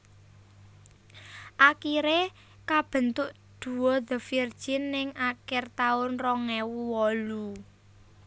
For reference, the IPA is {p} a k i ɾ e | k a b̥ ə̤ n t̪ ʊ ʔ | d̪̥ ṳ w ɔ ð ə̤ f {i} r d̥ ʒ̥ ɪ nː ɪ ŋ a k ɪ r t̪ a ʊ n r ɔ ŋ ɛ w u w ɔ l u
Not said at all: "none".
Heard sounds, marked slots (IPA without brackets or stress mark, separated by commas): ʔ, i